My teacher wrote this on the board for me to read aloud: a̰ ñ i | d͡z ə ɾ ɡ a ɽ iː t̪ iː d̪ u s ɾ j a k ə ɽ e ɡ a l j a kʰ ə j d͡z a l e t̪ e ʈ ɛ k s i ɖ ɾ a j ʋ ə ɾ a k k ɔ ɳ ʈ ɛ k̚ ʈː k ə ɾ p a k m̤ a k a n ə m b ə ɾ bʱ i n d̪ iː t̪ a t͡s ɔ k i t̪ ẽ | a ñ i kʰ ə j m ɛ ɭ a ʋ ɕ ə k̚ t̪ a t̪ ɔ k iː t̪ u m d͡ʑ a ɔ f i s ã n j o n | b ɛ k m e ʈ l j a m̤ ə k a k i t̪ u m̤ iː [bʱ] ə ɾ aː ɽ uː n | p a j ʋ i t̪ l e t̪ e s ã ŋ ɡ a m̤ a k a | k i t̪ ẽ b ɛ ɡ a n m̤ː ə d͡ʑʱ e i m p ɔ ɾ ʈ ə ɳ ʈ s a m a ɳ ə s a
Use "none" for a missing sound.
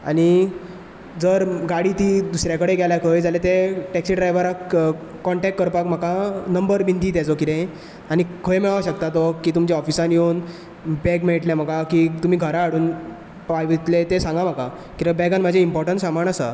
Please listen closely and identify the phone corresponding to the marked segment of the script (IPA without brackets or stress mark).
ɡʱ